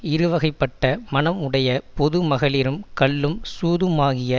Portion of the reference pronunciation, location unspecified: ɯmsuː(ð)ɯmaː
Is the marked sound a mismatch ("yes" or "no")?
no